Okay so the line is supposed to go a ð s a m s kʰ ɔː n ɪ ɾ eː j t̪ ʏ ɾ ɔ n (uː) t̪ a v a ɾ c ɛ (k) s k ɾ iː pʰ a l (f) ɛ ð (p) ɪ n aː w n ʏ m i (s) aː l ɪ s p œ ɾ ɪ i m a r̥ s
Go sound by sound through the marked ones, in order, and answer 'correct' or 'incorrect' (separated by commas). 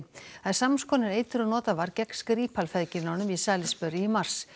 incorrect, correct, correct, incorrect, correct